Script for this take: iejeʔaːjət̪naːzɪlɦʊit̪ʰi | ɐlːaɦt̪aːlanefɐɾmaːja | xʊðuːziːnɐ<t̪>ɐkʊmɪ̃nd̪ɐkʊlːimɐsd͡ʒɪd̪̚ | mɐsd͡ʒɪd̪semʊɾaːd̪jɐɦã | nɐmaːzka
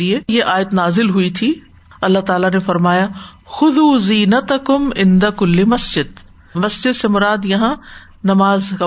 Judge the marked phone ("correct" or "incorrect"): correct